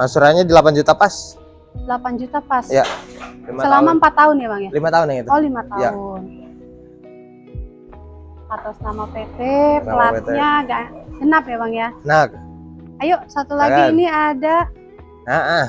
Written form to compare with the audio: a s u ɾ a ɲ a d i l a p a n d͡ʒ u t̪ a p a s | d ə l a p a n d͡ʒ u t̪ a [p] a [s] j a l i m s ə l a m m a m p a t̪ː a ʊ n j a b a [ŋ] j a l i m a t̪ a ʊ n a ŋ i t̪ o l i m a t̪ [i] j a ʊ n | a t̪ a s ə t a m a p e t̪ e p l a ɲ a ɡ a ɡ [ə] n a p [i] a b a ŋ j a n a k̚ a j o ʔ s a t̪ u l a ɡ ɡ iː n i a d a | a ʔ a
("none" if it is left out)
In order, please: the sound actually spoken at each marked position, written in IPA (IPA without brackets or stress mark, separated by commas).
p, s, ŋ, a, ə, j